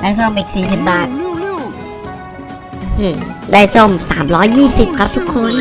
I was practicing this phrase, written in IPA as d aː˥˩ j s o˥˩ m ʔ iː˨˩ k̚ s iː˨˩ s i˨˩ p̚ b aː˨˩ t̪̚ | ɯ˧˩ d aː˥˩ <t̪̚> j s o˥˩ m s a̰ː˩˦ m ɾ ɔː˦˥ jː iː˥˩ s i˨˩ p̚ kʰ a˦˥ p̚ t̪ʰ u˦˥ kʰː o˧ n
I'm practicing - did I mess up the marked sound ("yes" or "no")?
yes